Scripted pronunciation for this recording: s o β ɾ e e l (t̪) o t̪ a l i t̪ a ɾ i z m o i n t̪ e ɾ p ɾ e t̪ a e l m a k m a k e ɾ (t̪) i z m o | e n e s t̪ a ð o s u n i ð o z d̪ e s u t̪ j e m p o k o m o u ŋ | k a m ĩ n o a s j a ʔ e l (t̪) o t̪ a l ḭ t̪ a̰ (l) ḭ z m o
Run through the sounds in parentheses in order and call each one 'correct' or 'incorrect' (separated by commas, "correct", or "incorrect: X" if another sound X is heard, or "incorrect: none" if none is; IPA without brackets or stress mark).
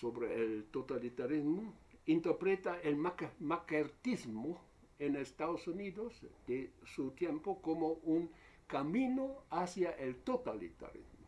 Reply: correct, correct, correct, incorrect: ɾ